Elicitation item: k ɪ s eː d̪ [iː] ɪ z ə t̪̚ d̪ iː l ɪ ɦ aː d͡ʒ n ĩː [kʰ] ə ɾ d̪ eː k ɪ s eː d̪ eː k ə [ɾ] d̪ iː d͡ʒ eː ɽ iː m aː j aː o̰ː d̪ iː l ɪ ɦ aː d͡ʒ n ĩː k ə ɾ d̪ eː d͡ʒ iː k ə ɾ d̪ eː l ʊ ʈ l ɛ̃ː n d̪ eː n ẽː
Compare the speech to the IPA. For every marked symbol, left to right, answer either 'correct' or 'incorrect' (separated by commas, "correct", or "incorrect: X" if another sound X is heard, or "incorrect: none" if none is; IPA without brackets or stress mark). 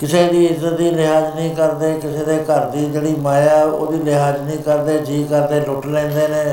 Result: correct, incorrect: k, correct